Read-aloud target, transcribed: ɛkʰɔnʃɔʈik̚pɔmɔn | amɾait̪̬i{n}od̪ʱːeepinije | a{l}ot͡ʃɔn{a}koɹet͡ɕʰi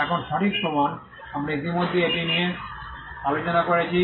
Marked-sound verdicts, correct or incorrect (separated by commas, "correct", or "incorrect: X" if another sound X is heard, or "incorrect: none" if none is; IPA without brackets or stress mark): incorrect: m, correct, correct